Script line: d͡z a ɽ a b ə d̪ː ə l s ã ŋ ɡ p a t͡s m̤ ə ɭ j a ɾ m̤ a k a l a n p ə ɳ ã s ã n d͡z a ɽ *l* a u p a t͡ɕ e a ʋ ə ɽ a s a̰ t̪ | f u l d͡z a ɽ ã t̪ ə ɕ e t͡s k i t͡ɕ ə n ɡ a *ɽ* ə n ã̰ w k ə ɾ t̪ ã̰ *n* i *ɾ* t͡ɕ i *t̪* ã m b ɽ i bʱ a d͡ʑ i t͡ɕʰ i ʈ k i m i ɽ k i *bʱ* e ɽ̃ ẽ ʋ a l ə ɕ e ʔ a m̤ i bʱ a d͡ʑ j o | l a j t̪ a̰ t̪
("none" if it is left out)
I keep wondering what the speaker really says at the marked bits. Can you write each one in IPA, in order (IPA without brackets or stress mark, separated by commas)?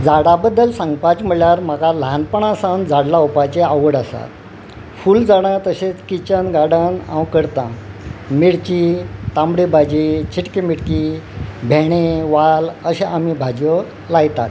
l, ɽ, m, ɽ, t̪, bʱ